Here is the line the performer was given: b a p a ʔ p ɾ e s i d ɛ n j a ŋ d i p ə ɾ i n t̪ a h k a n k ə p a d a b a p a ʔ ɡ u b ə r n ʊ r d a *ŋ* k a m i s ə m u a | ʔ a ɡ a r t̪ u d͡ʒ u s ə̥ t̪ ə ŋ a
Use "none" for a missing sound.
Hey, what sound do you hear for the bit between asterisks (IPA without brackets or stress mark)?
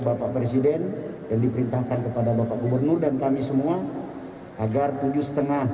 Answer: n